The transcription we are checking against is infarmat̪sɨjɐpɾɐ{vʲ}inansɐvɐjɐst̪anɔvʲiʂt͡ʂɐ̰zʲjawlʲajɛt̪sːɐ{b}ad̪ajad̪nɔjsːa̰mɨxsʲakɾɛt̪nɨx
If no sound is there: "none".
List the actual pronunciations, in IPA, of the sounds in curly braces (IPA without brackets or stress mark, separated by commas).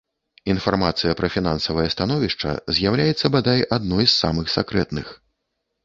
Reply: fʲ, b